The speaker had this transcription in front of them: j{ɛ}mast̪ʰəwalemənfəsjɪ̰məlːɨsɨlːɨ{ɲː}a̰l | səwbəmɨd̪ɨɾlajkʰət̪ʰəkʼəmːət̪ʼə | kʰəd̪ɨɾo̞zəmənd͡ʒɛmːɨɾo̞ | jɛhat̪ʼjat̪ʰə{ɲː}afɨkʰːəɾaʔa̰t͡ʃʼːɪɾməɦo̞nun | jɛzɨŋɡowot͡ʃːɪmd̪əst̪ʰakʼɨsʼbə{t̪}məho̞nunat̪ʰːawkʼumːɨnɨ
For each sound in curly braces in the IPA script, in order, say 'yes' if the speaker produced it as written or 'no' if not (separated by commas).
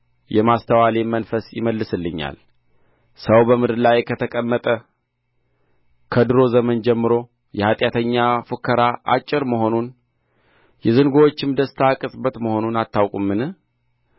yes, yes, yes, yes